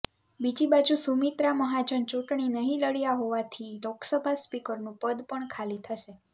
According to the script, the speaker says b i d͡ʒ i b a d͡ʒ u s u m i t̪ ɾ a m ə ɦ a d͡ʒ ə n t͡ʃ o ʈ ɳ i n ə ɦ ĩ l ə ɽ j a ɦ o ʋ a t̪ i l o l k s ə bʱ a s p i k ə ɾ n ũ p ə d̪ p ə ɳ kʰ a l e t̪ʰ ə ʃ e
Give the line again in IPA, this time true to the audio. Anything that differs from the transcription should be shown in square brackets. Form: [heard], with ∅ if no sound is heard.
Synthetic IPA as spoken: b i d͡ʒ i b a d͡ʒ u s u m i t̪ ɾ a m ə ɦ a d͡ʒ ə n t͡ʃ [u] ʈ ɳ i n ə ɦ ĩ l ə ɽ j a ɦ o ʋ a [t̪ʰ] i l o [∅] k s ə bʱ a s p i k ə ɾ n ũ p ə d̪ p ə ɳ kʰ a l [i] t̪ʰ ə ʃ e